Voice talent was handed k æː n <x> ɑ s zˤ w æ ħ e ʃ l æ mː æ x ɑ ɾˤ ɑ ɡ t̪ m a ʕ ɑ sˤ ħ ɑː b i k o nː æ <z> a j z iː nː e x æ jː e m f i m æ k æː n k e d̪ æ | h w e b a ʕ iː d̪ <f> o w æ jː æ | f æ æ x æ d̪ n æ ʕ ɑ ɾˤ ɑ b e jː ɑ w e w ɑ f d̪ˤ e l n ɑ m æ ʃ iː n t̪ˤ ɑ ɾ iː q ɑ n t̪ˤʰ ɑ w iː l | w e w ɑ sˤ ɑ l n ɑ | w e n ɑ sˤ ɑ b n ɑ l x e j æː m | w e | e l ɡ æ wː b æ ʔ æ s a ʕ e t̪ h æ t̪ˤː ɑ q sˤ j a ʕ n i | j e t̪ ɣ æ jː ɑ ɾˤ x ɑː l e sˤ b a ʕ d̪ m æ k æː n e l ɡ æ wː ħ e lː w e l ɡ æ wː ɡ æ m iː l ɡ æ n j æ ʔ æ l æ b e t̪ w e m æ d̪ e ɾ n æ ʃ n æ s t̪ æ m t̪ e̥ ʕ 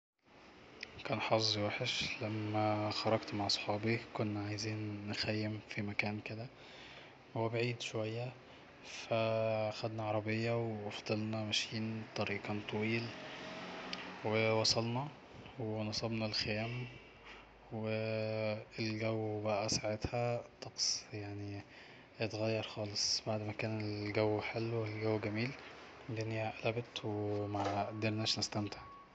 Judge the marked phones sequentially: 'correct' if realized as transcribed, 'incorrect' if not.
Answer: incorrect: ħ, incorrect: ʕ, incorrect: ʃ

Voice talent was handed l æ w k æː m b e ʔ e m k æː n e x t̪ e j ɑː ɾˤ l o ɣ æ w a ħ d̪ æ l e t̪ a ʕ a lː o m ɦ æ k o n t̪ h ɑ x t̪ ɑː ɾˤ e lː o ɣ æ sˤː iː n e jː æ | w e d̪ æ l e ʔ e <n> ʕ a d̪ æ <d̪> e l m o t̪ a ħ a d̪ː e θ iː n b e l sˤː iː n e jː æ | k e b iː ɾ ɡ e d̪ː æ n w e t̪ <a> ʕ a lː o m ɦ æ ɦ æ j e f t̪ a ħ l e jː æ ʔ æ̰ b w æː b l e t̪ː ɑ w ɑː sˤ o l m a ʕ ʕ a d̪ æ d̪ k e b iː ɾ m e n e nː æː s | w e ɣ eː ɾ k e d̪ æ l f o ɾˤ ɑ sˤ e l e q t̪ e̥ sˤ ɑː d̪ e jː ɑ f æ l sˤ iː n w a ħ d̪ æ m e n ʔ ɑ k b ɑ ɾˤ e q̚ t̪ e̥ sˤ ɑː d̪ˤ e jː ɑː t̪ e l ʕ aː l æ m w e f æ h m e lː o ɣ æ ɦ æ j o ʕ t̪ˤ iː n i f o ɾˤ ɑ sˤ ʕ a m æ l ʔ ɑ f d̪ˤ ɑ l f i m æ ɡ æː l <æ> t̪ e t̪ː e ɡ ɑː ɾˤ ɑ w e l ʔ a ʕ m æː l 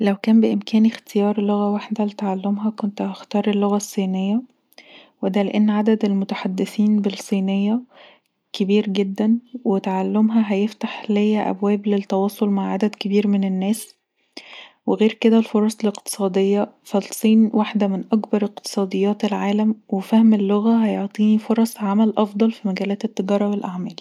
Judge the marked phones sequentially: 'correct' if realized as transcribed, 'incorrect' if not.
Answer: incorrect: nː, correct, correct, incorrect: æː

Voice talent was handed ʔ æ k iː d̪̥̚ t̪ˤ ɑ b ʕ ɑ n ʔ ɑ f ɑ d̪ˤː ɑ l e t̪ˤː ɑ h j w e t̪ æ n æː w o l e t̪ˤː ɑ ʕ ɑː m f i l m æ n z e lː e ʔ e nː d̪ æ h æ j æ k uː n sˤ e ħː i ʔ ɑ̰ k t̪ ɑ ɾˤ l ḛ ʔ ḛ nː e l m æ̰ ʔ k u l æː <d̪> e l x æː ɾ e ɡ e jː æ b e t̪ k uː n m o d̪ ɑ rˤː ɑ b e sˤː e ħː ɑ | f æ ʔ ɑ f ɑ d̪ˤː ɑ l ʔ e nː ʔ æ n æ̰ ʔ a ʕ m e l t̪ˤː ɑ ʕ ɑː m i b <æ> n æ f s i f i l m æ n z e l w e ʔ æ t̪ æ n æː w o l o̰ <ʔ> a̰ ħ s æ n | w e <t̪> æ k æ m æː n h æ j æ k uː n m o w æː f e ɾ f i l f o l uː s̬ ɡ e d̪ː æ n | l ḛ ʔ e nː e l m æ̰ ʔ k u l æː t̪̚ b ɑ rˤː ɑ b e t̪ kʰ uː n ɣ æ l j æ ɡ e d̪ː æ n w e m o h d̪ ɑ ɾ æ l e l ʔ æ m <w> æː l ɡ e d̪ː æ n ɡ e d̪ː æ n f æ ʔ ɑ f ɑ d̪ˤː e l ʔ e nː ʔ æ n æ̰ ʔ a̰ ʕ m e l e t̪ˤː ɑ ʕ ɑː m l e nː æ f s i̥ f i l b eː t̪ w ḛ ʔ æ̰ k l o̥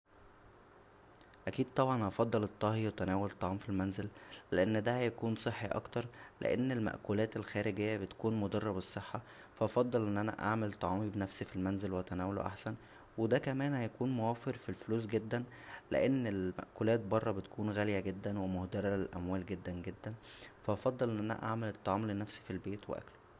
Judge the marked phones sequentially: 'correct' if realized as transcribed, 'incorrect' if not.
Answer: incorrect: t̪, incorrect: e, correct, incorrect: d̪, correct

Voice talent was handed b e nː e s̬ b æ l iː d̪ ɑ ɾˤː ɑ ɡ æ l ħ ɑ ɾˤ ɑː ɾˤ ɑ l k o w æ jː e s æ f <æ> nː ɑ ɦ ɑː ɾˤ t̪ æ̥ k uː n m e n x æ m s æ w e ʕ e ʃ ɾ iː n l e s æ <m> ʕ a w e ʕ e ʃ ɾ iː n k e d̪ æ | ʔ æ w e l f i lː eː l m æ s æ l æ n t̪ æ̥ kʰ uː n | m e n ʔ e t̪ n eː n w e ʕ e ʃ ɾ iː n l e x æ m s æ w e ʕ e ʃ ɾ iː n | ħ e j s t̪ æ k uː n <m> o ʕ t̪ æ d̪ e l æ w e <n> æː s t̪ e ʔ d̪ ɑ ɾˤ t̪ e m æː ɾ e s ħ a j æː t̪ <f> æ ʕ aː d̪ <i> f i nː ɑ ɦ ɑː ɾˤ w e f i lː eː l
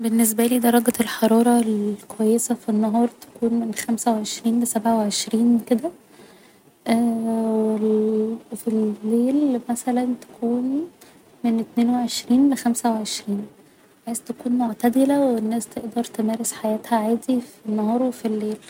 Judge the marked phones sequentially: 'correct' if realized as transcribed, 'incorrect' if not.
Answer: incorrect: i, incorrect: b, correct, incorrect: nː, incorrect: h, correct

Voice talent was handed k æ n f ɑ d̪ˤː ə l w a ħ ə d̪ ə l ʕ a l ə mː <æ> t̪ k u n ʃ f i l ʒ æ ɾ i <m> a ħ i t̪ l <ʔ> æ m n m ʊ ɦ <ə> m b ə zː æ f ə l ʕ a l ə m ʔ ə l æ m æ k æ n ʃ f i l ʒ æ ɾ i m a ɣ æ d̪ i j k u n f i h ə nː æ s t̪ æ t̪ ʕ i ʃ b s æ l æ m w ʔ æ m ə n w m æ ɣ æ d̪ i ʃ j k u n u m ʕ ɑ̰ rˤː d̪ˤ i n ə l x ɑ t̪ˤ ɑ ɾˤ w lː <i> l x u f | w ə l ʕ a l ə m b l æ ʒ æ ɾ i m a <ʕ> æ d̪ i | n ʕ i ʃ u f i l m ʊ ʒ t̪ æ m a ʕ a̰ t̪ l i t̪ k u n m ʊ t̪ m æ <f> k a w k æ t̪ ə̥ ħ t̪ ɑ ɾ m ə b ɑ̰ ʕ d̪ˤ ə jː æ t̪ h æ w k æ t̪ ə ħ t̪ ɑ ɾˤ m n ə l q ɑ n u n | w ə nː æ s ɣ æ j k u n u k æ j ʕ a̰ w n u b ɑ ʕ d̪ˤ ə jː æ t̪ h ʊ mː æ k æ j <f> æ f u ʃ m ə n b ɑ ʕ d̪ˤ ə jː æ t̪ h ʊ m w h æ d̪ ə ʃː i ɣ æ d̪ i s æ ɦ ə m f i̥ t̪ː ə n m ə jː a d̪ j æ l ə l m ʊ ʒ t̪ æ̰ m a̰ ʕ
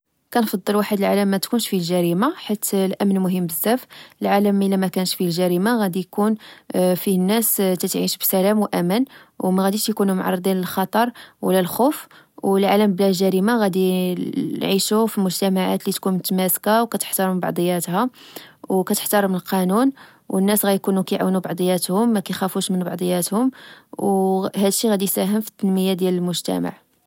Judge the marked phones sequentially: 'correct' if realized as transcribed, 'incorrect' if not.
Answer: correct, correct, correct, correct, incorrect: æ, incorrect: ɣ, incorrect: s, incorrect: x

